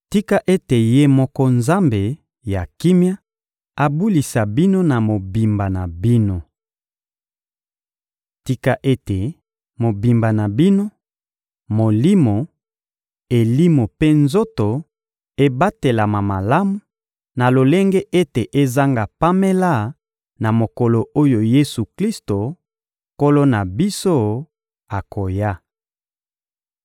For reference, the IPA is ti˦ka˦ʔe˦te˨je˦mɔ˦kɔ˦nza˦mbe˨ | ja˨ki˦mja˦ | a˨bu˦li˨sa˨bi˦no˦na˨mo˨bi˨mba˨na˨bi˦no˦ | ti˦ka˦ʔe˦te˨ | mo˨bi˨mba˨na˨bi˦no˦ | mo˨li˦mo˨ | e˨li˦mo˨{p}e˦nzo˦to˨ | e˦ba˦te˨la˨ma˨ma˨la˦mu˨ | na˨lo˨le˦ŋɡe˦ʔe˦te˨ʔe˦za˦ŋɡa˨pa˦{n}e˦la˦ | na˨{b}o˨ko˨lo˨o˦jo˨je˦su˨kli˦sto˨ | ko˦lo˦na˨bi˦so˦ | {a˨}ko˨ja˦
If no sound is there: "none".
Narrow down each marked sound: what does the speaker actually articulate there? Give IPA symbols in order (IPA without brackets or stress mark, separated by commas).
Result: p, m, m, a˨